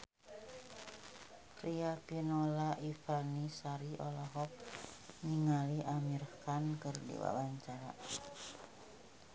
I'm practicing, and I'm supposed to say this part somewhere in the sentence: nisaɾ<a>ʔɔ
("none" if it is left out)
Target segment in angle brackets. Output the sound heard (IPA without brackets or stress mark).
i